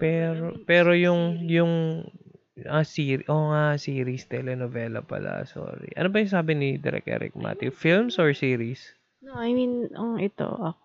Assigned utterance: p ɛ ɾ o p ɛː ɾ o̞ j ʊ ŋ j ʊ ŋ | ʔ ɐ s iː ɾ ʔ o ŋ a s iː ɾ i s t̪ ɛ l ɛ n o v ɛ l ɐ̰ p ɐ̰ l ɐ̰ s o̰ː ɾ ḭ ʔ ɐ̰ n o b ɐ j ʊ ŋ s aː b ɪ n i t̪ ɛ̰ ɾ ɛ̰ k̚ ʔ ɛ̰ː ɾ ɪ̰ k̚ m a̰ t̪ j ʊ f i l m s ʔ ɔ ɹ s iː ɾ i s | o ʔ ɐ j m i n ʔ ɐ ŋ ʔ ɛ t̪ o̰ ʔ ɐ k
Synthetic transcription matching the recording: p ɛ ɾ o p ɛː ɾ o̞ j ʊ ŋ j ʊ ŋ | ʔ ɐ s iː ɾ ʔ o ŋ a s iː ɾ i s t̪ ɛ l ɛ n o v ɛ l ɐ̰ p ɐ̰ l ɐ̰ s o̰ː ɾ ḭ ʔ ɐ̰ n o b ɐ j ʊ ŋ s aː b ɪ n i d̪ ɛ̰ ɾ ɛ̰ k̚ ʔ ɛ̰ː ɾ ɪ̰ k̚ m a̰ t̪ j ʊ f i l m s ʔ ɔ ɹ s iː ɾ i s | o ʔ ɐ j m i n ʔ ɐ ŋ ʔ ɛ t̪ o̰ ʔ ɐ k